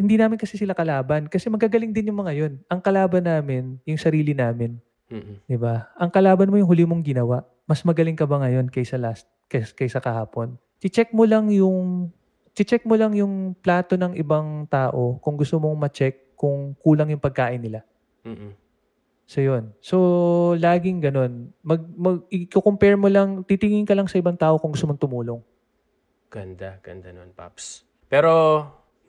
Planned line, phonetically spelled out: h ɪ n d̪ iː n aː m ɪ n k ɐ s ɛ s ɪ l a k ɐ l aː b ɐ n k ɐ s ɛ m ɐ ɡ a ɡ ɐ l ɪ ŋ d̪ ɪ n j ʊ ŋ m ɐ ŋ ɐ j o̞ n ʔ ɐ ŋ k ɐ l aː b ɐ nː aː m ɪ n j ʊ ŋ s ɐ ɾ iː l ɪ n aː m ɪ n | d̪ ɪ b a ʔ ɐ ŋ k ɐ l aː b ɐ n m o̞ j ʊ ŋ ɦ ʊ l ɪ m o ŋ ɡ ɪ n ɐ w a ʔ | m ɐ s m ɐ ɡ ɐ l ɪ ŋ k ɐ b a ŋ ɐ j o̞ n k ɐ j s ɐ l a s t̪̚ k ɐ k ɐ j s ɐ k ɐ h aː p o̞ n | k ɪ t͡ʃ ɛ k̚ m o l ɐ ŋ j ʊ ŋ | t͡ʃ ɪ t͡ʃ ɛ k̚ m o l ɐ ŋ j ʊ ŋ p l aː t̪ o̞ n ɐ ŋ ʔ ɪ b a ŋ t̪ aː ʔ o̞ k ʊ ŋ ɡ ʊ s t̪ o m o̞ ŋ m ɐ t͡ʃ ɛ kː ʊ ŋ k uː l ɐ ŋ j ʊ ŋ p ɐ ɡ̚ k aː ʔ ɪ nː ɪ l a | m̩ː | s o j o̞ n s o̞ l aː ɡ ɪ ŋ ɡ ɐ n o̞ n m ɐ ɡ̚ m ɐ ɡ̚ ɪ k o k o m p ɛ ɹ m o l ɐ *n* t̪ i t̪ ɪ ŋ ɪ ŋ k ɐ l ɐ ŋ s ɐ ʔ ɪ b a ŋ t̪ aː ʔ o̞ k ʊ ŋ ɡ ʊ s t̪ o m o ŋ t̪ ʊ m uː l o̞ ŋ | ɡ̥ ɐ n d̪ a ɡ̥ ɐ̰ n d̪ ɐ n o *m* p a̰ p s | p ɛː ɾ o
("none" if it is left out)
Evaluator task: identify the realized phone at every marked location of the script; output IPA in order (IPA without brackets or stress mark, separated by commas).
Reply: ŋ, n